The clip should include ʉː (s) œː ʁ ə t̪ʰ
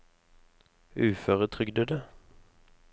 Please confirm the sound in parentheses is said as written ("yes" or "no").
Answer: no